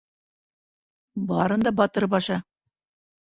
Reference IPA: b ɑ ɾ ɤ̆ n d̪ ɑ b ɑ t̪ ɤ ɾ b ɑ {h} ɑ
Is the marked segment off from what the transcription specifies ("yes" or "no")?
yes